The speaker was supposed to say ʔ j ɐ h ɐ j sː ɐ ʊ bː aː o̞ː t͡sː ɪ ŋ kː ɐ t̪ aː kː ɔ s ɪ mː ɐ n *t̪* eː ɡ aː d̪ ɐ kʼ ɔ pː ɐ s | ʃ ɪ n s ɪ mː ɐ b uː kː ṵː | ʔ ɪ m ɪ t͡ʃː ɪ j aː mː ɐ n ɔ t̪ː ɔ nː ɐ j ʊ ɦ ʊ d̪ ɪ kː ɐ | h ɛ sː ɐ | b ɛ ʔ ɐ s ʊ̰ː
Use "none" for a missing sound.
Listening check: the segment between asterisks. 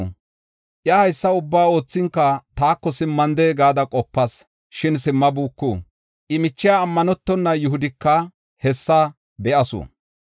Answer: d̪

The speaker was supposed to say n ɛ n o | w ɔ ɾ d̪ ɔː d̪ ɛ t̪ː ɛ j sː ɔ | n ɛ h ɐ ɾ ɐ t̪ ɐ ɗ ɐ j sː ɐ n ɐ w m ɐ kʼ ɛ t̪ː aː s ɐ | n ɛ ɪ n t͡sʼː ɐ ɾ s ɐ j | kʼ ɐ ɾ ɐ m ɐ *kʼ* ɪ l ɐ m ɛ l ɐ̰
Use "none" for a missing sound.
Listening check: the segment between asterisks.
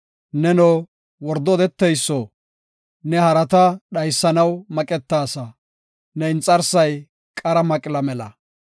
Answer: kʼ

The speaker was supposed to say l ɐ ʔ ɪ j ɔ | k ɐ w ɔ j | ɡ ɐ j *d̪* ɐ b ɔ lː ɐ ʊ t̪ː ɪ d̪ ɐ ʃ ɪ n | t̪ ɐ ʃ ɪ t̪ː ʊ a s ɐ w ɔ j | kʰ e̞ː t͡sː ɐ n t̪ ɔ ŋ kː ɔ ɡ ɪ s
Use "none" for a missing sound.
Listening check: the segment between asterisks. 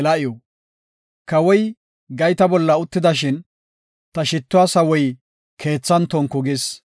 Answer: t̪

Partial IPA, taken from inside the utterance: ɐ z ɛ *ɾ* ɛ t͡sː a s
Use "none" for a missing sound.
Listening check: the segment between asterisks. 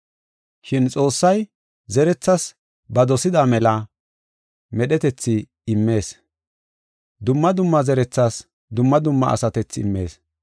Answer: ɾ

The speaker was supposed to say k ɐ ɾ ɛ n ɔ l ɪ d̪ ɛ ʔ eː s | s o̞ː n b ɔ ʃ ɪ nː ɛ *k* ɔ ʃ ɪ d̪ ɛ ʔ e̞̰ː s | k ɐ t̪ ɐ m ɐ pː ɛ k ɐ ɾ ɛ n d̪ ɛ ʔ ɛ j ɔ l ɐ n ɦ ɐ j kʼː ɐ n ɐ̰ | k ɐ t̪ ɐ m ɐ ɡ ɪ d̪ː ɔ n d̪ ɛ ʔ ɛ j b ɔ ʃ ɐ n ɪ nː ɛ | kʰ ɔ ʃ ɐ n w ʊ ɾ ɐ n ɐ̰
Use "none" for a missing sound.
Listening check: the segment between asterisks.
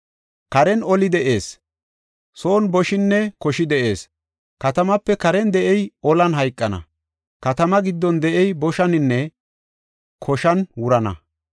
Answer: k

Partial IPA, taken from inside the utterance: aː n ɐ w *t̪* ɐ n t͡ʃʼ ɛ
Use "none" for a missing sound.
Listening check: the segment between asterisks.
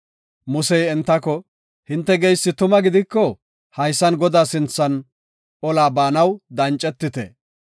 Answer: d̪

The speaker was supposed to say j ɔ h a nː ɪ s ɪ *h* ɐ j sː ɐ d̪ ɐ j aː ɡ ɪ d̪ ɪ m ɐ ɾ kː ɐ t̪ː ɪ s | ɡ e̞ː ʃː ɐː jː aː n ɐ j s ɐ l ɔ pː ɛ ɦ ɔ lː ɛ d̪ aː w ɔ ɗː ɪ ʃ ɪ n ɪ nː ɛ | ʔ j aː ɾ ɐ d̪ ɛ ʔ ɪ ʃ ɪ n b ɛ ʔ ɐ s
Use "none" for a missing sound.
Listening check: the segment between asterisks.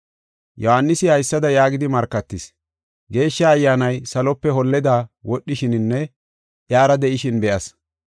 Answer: h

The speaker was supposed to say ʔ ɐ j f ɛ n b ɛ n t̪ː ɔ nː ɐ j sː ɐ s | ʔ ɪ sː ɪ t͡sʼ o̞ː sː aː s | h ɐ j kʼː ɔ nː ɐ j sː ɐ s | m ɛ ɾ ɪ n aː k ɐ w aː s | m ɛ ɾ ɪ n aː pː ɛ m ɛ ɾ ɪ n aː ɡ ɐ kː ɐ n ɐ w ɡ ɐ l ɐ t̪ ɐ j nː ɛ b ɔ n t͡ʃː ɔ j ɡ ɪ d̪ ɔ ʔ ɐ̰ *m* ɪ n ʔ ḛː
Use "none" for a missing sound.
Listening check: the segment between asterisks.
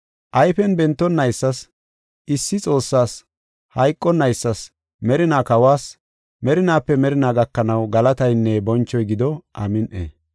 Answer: m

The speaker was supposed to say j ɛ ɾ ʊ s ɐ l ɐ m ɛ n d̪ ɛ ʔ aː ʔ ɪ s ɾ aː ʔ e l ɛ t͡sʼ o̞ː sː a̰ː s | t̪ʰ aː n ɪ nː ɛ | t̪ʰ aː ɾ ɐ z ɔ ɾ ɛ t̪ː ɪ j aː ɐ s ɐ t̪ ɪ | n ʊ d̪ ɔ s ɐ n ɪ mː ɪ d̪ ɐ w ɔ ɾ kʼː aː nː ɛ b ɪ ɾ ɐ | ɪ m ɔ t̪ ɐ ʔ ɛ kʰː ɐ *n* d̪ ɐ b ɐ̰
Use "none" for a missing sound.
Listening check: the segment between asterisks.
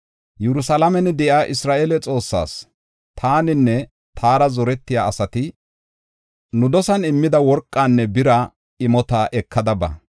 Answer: none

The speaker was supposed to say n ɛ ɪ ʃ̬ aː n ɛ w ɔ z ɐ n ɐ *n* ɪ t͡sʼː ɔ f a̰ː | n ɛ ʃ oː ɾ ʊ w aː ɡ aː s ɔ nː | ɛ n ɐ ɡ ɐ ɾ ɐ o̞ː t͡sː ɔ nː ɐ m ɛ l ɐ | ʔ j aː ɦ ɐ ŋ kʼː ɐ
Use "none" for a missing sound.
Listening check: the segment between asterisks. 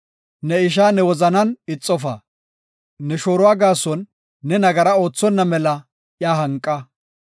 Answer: n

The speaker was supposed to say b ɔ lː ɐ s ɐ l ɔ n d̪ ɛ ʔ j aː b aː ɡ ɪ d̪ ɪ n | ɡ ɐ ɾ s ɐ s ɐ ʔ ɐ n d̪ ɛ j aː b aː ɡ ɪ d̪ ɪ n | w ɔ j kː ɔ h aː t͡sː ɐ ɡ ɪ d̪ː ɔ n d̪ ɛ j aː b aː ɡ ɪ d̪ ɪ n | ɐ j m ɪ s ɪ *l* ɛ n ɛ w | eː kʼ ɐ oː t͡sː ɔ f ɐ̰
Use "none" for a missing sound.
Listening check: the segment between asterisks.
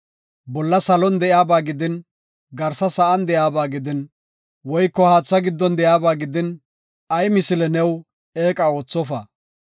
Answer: l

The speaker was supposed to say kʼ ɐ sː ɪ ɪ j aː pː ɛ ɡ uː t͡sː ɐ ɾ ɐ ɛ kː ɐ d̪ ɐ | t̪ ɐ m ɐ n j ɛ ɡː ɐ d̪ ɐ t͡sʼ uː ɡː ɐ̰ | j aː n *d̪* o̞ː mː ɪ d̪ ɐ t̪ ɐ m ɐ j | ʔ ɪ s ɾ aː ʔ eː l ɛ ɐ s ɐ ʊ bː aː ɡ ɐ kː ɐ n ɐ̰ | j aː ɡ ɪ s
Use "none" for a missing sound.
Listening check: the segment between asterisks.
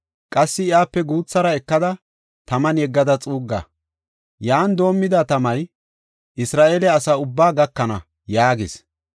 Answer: d̪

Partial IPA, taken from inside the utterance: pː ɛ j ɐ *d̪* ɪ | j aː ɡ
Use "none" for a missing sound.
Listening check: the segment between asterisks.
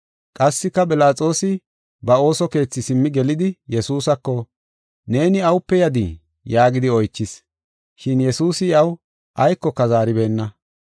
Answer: d̪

